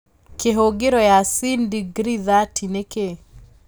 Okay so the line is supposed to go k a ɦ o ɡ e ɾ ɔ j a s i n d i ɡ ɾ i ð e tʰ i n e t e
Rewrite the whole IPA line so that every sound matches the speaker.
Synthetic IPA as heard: k e ɦ o ɡ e ɾ ɔ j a s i n d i ɡ ɾ i ð a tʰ i n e k e

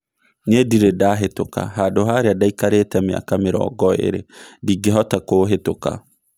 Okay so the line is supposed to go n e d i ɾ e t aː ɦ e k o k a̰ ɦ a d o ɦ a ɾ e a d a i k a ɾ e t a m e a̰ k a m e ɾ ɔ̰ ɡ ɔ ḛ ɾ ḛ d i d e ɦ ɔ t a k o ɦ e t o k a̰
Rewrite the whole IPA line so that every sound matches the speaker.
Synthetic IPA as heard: n e d i ɾ e d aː ɦ e t o k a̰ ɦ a d o ɦ a ɾ e a d a i k a ɾ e t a m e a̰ k a m e ɾ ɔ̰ ɡ ɔ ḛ ɾ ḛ d i ɡ e ɦ ɔ t a k o ɦ e t o k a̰

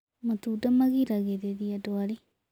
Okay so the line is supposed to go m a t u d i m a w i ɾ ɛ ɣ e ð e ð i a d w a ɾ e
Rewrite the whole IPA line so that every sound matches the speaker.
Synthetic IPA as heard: m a t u d a m a ɣ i ɾ a ɣ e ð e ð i a d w a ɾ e

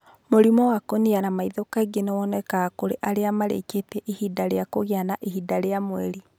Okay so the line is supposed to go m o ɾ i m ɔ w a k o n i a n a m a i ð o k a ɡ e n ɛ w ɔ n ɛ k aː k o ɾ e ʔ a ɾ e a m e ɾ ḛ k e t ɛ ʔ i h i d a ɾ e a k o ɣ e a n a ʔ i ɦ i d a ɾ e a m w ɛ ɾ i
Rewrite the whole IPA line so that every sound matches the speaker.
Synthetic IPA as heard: m o ɾ i m ɔ w a k o n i a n a m a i ð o k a ɡ e n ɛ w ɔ n ɛ k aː k o ɾ e ʔ a ɾ e a m a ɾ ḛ k e t ɛ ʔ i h i d a ɾ e a k o ɣ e a n a ʔ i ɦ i d a ɾ e a m w ɛ ɾ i

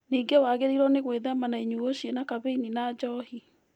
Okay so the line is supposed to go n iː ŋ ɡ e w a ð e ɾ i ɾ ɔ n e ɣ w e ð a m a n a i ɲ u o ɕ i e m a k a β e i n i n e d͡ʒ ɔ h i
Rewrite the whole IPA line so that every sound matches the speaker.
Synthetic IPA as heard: n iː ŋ ɡ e w a ɣ e ɾ i ɾ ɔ n e ɣ w e ð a m a n a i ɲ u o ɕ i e n a k a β e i n i n a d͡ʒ ɔ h i

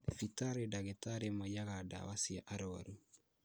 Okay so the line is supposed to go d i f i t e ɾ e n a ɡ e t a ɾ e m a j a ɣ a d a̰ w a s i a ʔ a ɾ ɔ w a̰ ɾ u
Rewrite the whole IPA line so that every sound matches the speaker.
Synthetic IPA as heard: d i f i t a ɾ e d a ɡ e t a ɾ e m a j a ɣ a d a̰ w a s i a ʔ a ɾ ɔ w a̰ ɾ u

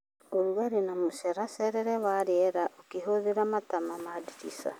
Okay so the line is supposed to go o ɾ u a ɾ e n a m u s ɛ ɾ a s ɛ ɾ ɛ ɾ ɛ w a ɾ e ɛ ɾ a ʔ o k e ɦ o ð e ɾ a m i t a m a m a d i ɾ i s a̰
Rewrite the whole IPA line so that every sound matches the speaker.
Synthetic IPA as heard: o ɾ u a ɾ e n a m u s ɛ ɾ a s ɛ ɾ ɛ ɾ ɛ w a ɾ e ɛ ɾ a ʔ o k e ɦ o ð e ɾ a m a t a m a m a d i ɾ i s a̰

